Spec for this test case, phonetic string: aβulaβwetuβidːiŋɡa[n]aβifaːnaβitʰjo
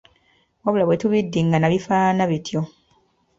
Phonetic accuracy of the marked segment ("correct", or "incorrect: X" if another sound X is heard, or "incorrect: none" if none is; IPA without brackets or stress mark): correct